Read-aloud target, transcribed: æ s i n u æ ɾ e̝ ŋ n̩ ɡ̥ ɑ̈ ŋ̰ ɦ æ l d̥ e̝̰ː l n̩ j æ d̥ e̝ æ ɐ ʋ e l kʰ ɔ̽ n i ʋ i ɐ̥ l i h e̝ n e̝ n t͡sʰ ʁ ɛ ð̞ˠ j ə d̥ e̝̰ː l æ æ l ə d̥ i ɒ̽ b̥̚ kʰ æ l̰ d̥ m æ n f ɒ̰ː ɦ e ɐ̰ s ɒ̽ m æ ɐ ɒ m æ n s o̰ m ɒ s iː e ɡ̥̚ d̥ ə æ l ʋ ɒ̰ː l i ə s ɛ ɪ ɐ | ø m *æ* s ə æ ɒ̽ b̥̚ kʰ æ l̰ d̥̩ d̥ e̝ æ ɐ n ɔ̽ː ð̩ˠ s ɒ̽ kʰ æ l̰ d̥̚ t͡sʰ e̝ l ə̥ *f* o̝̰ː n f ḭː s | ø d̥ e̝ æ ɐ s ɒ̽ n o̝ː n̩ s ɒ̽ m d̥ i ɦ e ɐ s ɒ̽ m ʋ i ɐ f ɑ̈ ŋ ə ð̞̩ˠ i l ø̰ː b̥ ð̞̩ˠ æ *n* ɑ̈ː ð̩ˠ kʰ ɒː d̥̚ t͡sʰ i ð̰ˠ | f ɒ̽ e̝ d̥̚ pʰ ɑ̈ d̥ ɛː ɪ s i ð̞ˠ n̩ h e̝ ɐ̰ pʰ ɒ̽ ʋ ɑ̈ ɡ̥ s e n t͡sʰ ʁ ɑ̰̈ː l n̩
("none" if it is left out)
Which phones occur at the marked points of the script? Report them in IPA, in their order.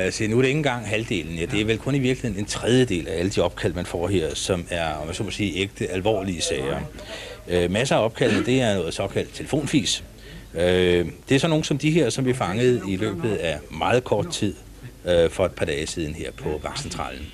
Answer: æ, f, m

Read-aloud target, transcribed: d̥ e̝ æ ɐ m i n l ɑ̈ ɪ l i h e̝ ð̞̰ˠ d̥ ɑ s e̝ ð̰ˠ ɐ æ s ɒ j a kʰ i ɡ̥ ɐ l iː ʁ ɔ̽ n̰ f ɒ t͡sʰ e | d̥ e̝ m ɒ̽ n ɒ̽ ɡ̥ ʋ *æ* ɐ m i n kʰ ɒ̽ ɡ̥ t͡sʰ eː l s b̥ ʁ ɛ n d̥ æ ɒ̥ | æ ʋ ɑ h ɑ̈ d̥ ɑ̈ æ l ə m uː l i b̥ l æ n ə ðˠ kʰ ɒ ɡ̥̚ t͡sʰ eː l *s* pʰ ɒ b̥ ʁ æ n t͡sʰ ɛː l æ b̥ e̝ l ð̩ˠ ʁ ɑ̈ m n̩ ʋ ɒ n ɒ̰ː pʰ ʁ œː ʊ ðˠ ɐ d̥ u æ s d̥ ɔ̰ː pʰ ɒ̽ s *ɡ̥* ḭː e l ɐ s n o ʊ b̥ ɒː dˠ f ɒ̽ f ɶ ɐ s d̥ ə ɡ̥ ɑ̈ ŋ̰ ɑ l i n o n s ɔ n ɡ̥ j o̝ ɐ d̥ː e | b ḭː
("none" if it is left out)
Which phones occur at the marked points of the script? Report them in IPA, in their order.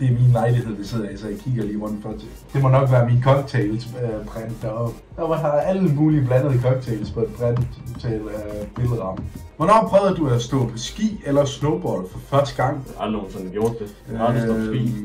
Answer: æː, s, ɡ̥

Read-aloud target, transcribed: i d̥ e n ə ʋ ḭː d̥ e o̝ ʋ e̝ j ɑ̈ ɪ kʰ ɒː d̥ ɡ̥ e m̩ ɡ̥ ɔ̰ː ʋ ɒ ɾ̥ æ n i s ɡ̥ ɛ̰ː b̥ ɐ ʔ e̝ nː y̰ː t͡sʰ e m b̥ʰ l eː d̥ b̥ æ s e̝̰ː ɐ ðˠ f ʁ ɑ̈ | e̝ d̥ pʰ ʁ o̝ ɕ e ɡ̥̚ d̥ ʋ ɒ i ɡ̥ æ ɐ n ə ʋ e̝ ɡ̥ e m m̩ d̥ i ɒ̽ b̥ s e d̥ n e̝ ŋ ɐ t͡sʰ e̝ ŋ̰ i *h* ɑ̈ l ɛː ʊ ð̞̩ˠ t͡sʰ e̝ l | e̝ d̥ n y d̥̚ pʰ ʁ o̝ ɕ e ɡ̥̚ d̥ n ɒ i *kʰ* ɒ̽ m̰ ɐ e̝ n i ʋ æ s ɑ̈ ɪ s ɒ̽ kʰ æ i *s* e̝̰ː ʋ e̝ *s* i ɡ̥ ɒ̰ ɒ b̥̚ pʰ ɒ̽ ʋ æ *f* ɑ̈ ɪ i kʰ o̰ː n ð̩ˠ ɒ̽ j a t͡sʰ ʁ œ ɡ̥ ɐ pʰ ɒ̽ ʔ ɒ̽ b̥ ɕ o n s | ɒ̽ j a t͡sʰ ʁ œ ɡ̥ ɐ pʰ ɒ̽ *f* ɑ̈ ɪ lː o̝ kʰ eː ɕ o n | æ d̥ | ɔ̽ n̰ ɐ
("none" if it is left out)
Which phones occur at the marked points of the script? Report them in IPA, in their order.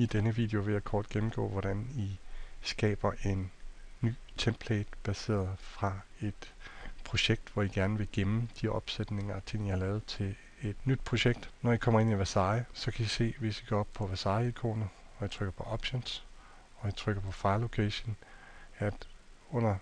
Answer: h, kʰ, s, s, s, f

